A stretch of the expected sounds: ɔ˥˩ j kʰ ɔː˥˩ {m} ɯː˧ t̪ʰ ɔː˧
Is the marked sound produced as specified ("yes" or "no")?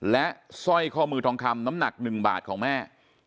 yes